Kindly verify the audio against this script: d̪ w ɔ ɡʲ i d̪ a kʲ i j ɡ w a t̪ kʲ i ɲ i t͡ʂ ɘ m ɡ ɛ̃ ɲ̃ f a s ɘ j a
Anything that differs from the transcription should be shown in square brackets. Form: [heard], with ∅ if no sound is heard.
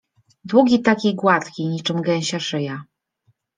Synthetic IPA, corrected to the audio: d̪ w [u] ɡʲ i [t̪] a kʲ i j ɡ w a t̪ kʲ i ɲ i t͡ʂ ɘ m ɡ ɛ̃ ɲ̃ [ɕ] a [ʂ] ɘ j a